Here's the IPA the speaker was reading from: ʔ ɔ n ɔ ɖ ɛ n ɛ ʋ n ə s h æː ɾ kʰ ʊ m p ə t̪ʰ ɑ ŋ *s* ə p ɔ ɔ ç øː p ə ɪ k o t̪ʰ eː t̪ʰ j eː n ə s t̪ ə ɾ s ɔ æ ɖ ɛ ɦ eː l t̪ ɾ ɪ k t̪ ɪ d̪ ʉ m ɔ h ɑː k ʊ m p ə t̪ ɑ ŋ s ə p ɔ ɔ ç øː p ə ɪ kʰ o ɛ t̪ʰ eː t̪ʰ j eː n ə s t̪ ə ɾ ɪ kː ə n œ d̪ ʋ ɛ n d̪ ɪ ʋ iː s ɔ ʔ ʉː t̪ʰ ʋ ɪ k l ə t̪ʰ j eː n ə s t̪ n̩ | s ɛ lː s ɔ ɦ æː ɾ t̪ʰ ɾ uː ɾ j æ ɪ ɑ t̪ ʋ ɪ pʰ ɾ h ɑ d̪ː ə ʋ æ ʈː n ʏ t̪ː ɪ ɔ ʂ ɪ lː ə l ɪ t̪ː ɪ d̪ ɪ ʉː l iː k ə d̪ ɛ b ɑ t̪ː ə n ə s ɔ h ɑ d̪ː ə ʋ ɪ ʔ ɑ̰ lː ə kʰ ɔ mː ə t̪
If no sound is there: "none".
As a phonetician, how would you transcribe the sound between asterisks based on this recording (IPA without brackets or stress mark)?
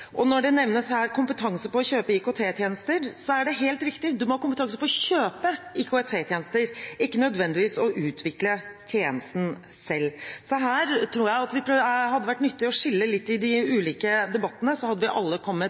s